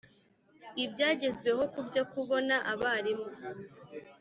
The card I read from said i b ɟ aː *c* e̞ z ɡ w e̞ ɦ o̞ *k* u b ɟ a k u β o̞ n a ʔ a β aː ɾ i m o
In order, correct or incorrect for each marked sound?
incorrect: ɟ, correct

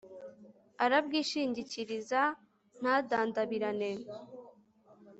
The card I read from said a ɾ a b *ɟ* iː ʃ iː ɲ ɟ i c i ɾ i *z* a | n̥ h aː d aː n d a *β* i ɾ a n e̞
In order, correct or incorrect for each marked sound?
incorrect: ɡ, correct, correct

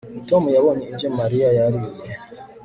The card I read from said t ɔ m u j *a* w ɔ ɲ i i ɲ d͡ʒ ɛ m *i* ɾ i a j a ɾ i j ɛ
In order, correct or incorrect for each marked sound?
correct, incorrect: a

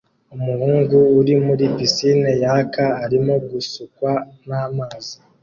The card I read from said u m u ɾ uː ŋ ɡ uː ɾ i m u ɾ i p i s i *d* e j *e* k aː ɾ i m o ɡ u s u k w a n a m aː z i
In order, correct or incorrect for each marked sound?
incorrect: n, incorrect: a

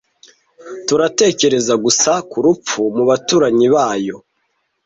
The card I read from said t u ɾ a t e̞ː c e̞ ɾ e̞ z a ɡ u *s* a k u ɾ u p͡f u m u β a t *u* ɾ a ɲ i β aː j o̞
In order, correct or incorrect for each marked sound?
correct, incorrect: uː

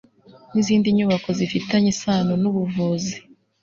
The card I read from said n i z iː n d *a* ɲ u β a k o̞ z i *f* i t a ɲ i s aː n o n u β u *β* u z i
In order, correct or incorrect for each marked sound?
incorrect: i, correct, incorrect: v

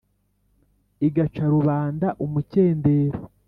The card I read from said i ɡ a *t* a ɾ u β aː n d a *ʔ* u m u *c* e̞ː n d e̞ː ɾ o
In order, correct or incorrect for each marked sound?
incorrect: t͡ʃ, correct, correct

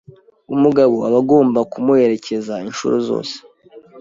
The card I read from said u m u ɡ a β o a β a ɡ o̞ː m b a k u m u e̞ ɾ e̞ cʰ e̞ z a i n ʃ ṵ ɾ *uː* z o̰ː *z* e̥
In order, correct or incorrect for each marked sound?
incorrect: u, incorrect: s

